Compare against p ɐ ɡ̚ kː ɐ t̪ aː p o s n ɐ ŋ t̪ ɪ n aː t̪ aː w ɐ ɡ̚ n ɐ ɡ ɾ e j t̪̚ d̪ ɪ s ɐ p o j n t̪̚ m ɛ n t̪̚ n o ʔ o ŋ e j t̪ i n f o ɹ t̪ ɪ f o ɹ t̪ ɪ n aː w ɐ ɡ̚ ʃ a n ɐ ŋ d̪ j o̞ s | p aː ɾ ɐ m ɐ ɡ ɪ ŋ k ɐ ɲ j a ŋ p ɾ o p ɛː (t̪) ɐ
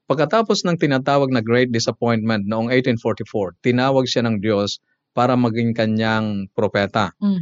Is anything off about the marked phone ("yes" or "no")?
no